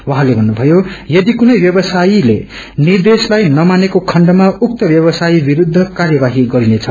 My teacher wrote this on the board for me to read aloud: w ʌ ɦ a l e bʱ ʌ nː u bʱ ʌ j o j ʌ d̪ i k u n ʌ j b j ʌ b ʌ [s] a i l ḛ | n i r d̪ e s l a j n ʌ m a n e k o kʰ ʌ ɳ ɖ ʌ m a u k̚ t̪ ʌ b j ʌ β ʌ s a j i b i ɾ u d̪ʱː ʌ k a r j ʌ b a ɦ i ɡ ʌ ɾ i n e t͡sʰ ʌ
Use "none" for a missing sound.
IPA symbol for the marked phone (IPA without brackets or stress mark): s